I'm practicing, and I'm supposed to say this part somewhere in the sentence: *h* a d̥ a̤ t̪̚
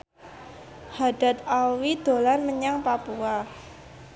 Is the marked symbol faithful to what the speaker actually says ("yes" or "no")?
yes